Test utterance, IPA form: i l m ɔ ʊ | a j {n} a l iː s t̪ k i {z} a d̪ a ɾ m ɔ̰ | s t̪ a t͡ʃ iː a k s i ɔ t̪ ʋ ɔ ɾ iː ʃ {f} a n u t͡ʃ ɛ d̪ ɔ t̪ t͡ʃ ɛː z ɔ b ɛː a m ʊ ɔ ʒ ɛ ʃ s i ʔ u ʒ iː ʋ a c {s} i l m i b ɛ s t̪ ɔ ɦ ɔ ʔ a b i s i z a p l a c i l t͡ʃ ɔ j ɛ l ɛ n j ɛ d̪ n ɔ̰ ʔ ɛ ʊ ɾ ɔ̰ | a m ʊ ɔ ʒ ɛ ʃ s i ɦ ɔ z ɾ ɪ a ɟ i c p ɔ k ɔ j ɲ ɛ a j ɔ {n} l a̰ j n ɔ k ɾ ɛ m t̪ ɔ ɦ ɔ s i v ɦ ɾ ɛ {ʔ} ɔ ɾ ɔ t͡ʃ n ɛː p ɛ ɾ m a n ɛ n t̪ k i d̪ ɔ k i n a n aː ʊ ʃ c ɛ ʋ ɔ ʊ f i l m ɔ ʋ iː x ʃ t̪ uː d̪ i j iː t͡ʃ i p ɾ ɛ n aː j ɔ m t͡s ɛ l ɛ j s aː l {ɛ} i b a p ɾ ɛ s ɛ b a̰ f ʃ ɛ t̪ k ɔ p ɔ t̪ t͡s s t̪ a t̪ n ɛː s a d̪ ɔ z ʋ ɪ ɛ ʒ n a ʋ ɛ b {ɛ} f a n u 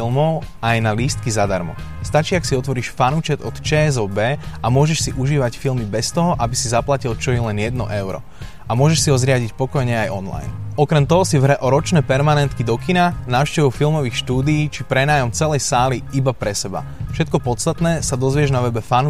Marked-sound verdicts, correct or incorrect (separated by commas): correct, correct, correct, incorrect, correct, correct, incorrect, correct